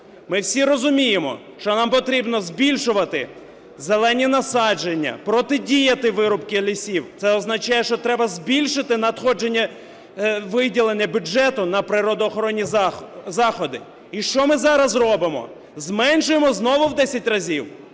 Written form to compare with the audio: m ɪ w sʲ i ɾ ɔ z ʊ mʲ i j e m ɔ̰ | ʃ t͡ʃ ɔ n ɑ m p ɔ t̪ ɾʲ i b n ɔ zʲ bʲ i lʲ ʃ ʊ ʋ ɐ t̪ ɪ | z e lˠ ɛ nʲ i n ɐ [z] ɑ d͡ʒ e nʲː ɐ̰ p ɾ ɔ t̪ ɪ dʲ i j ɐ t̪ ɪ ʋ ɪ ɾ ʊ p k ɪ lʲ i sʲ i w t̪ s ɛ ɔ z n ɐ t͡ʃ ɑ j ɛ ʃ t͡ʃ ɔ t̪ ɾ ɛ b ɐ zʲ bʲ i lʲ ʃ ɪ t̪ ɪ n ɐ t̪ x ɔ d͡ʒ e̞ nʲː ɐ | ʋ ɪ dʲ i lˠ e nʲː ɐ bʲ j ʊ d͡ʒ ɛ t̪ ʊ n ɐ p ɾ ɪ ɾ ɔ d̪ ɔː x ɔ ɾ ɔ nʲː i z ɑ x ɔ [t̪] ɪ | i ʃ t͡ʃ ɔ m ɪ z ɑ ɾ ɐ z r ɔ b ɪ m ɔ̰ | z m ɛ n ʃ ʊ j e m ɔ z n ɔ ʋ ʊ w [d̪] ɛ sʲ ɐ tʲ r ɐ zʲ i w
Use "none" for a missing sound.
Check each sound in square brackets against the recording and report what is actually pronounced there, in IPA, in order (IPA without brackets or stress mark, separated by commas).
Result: s, d̪, d̪